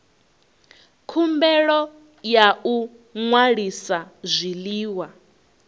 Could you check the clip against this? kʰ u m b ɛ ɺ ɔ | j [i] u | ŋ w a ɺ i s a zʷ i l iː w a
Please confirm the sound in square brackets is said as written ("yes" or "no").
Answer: no